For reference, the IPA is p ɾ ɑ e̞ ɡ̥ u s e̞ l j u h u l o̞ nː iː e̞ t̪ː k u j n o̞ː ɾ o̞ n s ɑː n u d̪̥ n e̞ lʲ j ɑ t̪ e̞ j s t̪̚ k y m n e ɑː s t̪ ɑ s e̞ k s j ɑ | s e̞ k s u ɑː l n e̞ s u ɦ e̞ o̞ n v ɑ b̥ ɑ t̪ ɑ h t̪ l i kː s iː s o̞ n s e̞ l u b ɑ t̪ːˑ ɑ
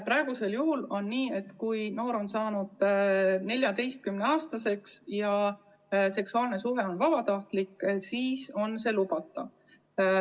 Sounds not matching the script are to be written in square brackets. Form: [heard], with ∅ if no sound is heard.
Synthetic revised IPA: p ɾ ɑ e̞ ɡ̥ u s e̞ l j u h u l o̞ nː iː e̞ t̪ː k u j n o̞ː ɾ o̞ n s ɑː n u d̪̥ n e̞ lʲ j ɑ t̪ e̞ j s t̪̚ k y m n e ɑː s t̪ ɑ s e̞ k s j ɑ | s e̞ k s u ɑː l n e̞ s u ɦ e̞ o̞ n v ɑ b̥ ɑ t̪ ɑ h t̪ l i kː s iː s o̞ n s e̞ l u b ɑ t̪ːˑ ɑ